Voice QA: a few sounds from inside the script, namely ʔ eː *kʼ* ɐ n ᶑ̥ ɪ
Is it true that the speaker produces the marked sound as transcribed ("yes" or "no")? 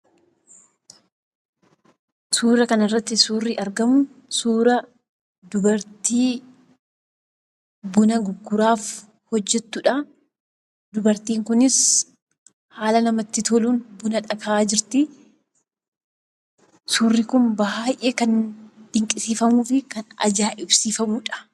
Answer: no